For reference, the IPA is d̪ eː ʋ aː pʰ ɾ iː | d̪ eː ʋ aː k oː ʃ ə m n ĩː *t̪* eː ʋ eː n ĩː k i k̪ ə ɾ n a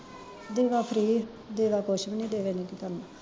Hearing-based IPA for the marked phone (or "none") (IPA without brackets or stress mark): d̪